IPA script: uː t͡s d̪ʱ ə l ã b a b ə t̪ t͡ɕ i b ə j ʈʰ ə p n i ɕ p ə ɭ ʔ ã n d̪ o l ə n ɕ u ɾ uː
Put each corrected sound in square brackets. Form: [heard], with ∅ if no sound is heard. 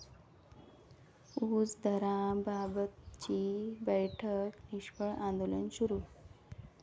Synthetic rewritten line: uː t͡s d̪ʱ ə [ɾ] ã b a b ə t̪ t͡ɕ i b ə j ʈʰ ə [k] n i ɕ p ə ɭ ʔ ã n d̪ o l ə n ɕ u ɾ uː

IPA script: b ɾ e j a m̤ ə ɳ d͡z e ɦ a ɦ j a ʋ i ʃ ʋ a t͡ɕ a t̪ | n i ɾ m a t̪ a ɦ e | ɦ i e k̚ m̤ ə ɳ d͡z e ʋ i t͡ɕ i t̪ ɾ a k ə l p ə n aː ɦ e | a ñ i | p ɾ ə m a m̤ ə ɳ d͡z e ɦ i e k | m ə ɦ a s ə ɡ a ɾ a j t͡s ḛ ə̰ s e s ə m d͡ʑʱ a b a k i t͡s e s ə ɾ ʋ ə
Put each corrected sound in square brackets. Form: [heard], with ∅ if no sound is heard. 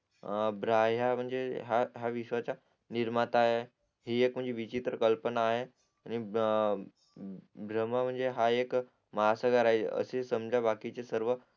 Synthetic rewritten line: b ɾ [a] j a m̤ ə ɳ d͡z e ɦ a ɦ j a ʋ i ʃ ʋ a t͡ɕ a [∅] | n i ɾ m a t̪ a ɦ e | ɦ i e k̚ m̤ ə ɳ d͡z e ʋ i t͡ɕ i t̪ ɾ [ə] k ə l p ə n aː ɦ e | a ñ i | [b] ɾ ə m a m̤ ə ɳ d͡z e ɦ [a] e k | m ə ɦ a s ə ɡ a ɾ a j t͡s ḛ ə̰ s e s ə m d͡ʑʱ a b a k i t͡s e s ə ɾ ʋ ə

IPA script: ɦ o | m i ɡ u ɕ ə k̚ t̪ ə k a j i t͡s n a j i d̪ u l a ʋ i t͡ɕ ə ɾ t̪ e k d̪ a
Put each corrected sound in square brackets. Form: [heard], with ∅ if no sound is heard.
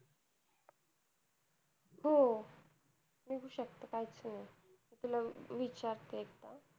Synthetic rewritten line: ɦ o | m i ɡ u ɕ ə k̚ t̪ ə k a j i t͡s n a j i [t̪] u l a ʋ i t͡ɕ [a] ɾ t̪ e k [t̪] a

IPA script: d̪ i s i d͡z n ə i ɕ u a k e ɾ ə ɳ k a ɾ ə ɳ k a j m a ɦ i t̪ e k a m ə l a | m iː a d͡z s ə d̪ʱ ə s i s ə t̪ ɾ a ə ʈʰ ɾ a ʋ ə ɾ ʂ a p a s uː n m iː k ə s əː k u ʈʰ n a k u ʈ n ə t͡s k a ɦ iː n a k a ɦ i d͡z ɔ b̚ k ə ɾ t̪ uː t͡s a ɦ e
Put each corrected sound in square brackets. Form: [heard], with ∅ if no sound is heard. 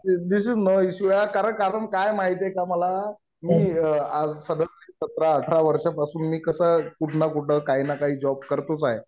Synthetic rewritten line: d̪ i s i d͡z n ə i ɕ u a k [a] ɾ ə ɳ k a ɾ ə ɳ k a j m a ɦ i t̪ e k a m ə l a | m iː a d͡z s ə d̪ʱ ə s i s ə t̪ ɾ a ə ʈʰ ɾ a ʋ ə ɾ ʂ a p a s uː n m iː k ə s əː k u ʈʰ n a k u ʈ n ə [∅] k a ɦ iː n a k a ɦ [iː] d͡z ɔ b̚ k ə ɾ t̪ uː t͡s a ɦ e

